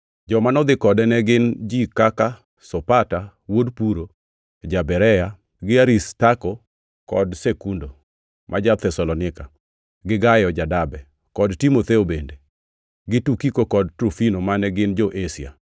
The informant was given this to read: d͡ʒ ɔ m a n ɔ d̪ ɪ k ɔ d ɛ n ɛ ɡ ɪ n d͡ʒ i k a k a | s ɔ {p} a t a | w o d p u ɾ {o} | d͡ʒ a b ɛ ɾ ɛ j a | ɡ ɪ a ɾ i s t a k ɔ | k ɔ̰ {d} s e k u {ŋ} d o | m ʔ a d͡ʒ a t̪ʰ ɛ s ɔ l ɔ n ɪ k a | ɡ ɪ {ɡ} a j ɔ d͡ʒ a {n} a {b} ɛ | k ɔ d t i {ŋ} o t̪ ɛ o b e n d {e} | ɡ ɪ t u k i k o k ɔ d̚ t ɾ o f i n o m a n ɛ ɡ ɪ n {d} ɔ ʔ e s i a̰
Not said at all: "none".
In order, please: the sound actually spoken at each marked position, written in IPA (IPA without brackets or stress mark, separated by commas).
p, o, d, n, ɡ, d, b, m, e, d͡ʒ